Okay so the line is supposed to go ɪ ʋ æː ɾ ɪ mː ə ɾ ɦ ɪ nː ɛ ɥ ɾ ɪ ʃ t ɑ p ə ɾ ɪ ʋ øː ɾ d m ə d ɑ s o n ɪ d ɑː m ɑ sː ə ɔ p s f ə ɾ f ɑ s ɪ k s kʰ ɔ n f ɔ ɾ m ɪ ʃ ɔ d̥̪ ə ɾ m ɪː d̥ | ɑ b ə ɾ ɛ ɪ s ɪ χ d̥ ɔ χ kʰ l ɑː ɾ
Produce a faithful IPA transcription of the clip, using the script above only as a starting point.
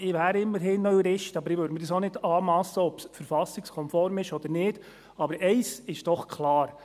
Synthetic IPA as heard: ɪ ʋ æː ɾ ɪ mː ə ɾ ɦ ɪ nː œ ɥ ɾ ɪ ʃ t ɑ b ə ɾ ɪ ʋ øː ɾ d m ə d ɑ s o n ɪ d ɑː m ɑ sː ə ɔ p s f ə ɾ f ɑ s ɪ k s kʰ ɔ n f ɔ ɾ m ɪ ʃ ɔ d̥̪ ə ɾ n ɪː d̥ | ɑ b ə ɾ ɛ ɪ s ɪ ʃ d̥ ɔ χ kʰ l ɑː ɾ